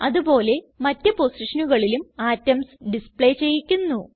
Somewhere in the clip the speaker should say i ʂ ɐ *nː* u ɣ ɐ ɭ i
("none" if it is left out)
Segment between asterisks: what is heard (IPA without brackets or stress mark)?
n